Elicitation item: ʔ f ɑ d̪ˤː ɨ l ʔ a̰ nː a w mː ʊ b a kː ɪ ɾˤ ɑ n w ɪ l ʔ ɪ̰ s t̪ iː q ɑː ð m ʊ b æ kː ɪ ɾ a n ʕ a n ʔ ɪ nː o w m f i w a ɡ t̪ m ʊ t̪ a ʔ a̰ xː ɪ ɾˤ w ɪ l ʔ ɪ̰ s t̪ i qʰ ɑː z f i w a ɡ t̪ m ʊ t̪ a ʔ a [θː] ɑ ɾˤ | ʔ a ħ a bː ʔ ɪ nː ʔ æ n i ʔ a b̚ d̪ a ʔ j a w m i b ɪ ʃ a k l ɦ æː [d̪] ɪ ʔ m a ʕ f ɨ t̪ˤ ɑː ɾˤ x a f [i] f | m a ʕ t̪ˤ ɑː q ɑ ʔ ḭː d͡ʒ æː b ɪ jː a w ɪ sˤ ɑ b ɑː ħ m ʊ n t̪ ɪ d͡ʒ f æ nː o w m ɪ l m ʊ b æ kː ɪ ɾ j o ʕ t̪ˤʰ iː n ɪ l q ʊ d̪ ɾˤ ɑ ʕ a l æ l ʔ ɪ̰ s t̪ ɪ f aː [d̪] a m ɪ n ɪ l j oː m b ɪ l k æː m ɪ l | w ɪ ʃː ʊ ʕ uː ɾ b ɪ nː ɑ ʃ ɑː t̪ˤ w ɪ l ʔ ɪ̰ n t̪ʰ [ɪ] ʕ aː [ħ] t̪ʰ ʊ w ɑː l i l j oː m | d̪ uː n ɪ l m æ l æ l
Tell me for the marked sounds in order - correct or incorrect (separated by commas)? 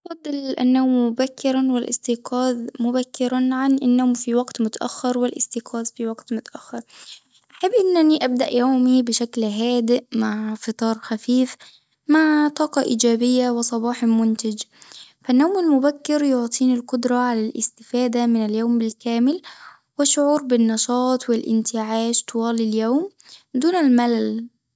incorrect, correct, incorrect, correct, correct, incorrect